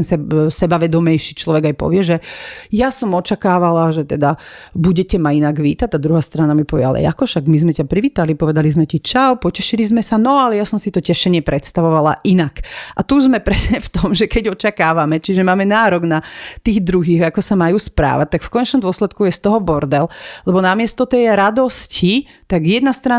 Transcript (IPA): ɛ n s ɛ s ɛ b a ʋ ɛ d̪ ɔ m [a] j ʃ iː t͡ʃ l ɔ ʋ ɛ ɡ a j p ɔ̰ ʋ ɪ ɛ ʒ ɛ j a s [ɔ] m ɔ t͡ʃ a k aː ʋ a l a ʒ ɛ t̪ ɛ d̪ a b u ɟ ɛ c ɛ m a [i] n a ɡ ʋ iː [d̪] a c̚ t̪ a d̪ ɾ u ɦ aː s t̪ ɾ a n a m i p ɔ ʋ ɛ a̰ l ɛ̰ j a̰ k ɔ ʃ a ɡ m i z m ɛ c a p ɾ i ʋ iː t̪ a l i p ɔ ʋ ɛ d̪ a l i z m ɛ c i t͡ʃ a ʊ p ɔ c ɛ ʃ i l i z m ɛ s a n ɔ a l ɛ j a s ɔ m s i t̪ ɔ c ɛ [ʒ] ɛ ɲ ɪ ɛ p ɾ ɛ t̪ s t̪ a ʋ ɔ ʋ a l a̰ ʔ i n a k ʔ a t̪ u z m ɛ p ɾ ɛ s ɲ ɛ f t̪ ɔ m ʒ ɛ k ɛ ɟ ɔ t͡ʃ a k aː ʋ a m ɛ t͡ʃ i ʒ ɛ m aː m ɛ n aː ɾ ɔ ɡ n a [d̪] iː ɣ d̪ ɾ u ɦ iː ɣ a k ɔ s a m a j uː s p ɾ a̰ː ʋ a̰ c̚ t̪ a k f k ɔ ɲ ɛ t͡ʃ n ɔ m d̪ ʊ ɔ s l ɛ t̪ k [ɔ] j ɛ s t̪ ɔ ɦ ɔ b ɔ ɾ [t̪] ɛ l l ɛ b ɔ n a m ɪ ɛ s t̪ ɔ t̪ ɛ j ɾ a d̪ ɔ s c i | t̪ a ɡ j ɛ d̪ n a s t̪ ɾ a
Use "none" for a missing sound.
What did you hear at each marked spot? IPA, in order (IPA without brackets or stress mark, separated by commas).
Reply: ɛ, ɔ, i, t̪, ʃ, t̪, u, d̪